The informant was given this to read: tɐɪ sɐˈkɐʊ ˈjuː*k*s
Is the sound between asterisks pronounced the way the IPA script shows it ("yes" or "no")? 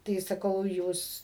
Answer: no